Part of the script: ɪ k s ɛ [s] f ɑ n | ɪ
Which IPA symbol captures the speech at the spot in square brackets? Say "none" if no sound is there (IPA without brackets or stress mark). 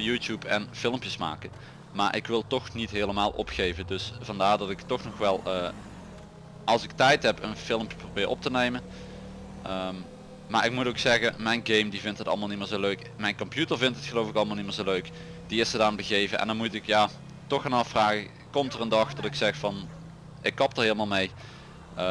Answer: x